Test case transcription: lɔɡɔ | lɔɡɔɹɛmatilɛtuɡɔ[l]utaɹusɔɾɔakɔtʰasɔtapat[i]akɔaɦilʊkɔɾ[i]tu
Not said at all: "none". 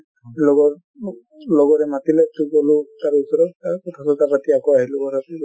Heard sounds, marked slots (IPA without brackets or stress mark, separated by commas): l, i, a